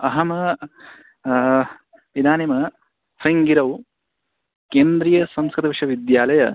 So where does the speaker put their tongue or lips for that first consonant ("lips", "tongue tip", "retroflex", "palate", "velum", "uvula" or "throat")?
throat